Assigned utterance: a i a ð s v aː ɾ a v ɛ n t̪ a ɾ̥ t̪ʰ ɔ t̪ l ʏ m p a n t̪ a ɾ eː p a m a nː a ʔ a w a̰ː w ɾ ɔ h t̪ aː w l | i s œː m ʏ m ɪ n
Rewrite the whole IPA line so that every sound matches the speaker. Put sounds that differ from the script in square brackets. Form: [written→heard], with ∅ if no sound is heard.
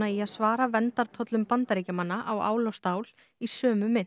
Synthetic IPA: a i a ð s v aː ɾ a v ɛ n t̪ a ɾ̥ t̪ʰ ɔ t̪ l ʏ m p a n t̪ a ɾ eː [p→c] a m a nː a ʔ a w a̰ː w [ɾ→l] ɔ [h→s] t̪ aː w l | i s œː m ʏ m ɪ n